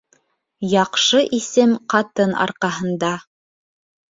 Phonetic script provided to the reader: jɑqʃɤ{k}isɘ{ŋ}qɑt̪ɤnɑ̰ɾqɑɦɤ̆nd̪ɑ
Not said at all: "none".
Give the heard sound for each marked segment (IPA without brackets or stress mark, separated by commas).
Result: ʔ, m